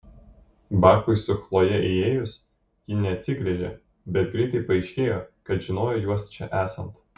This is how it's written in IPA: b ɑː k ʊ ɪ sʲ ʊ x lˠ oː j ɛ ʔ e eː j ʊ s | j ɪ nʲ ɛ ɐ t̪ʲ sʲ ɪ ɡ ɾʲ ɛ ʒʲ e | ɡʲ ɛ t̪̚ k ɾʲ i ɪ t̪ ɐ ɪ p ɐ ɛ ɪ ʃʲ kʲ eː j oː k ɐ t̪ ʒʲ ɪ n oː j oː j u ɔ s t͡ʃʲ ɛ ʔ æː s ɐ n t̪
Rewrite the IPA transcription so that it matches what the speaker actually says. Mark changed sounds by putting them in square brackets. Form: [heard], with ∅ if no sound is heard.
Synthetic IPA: b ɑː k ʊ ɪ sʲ ʊ x lˠ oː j ɛ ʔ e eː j ʊ s | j ɪ nʲ ɛ ɐ t̪ʲ sʲ ɪ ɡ ɾʲ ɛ ʒʲ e | [bʲ] ɛ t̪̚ [ɡ] ɾʲ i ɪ t̪ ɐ ɪ p ɐ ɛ ɪ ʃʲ kʲ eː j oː k ɐ t̪ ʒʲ ɪ n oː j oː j u ɔ s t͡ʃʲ ɛ ʔ æː s ɐ n t̪